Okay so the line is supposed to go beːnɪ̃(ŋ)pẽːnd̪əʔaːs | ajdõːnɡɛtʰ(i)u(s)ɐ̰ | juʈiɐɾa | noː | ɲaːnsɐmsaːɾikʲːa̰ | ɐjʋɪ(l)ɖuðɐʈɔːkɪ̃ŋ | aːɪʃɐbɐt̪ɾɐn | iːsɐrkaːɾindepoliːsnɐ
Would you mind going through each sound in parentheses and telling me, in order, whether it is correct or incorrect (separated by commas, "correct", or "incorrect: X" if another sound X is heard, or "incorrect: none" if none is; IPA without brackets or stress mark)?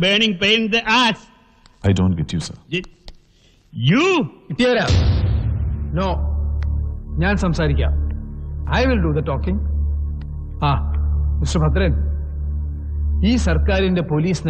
correct, incorrect: j, correct, correct